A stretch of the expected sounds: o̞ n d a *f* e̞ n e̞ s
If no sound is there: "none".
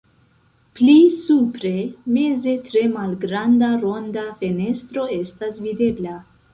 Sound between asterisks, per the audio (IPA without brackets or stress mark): f